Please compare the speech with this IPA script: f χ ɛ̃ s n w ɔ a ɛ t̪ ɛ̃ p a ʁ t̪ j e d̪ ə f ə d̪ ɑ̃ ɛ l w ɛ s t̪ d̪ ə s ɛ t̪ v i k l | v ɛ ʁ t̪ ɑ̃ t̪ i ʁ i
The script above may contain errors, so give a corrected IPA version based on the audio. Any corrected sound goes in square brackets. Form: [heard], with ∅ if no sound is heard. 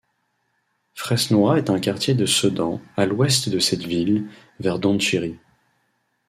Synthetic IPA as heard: f χ [ɛ] s n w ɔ a ɛ t̪ ɛ̃ [k] a ʁ t̪ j e d̪ ə [s] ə d̪ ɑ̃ [a] l w ɛ s t̪ d̪ ə s ɛ t̪ v i [∅] l | v ɛ ʁ [d̪] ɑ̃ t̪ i ʁ i